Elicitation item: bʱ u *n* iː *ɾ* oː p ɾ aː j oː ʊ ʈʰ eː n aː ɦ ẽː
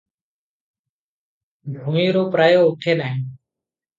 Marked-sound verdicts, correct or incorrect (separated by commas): incorrect, correct